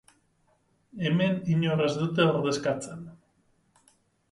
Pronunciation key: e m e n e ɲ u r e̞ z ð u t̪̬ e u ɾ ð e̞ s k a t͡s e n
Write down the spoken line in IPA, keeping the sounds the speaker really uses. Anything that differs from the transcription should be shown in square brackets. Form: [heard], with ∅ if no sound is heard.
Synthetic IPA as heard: e m e n [i] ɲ [o] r e̞ z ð u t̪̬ e [o] ɾ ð e̞ s k a t͡s e n